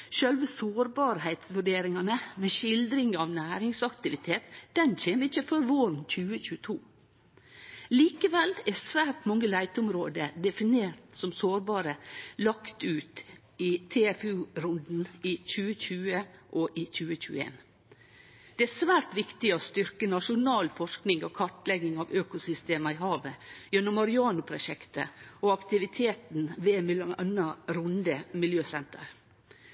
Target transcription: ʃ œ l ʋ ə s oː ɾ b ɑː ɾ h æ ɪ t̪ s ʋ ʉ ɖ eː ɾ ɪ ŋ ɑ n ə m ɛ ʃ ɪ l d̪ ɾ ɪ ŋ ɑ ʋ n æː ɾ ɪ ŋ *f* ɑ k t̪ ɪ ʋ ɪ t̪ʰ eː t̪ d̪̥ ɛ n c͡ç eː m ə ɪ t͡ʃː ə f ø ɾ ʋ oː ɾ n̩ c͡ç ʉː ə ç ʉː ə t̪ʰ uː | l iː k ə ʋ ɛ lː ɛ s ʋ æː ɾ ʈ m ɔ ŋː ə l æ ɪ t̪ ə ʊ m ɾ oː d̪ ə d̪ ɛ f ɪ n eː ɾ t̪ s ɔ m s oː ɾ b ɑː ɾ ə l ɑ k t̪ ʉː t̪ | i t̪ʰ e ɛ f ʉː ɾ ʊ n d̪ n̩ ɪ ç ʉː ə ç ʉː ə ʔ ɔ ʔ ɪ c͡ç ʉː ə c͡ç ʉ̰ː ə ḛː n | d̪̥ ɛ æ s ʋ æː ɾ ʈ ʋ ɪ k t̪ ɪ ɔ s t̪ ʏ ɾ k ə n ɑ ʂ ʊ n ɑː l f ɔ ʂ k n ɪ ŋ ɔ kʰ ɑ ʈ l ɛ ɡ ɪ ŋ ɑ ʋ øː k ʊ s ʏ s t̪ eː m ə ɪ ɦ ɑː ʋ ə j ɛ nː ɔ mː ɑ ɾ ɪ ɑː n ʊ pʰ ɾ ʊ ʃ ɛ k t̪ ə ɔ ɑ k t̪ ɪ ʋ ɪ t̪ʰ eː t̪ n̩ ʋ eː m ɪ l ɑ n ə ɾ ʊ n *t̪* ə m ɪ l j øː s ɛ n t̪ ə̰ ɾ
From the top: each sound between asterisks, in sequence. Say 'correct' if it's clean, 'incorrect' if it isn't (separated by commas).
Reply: incorrect, incorrect